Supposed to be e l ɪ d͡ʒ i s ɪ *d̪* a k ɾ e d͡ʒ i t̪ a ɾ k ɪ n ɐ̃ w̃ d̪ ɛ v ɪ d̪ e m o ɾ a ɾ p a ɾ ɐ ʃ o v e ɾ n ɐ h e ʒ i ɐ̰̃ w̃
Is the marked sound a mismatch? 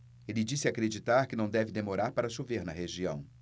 yes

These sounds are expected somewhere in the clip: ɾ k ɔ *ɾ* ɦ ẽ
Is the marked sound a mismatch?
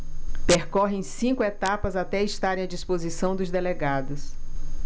yes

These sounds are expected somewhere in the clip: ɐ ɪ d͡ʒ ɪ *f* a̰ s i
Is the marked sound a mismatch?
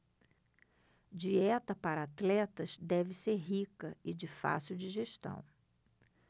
no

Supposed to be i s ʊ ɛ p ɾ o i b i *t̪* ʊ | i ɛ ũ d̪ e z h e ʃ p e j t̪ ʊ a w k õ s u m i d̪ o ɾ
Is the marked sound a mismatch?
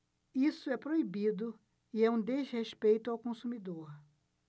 yes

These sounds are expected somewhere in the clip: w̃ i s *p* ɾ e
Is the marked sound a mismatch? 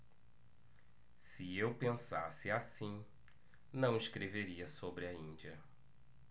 yes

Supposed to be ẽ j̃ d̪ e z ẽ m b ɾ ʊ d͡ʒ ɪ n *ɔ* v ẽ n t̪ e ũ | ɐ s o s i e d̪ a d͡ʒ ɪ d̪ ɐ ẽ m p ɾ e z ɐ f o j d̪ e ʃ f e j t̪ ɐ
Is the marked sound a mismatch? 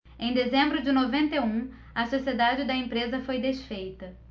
yes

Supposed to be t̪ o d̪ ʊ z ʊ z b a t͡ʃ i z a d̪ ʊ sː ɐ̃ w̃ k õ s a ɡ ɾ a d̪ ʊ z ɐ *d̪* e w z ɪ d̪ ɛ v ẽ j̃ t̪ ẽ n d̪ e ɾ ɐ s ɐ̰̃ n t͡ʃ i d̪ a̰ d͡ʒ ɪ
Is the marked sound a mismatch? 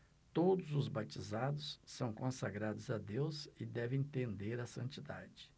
no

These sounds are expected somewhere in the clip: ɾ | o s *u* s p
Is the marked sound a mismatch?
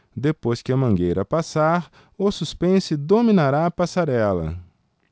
no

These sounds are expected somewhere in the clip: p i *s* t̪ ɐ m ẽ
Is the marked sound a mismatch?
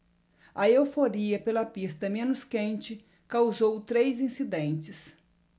no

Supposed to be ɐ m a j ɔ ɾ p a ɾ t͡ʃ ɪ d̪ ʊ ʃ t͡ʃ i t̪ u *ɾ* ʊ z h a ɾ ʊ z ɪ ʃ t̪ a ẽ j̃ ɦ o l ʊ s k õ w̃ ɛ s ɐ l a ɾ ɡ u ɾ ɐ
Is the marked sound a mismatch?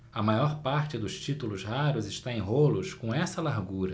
yes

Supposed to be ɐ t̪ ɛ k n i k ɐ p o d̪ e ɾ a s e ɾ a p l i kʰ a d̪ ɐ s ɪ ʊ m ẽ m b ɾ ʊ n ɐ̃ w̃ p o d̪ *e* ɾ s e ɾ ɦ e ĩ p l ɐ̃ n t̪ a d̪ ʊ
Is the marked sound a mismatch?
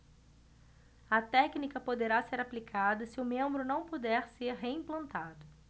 yes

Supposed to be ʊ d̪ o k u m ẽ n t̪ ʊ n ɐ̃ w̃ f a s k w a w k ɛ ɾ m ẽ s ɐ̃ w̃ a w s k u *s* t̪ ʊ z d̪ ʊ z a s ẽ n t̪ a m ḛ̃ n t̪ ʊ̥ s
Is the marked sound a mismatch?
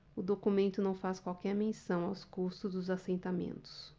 no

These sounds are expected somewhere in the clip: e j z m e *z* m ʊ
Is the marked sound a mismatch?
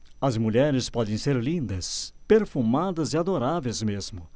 no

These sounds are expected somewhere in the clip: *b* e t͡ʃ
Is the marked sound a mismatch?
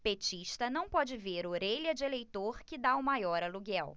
yes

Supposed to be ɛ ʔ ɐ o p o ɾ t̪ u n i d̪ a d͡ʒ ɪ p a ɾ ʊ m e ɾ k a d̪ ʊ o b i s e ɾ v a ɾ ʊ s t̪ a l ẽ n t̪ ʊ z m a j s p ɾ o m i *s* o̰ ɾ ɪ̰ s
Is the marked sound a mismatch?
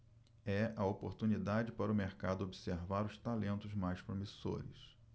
no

